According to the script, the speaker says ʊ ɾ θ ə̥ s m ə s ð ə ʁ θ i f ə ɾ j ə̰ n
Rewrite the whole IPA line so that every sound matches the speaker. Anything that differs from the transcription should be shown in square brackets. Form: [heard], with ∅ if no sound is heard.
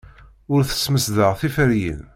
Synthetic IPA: ʊ ɾ θ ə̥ s m ə s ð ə ʁ θ i f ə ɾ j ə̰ n